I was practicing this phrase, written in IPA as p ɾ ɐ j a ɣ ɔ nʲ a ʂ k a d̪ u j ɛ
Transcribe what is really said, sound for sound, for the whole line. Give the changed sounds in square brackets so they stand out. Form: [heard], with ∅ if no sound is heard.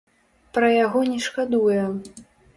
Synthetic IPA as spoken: p ɾ ɐ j a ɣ ɔ nʲ [ɛ] ʂ k a d̪ u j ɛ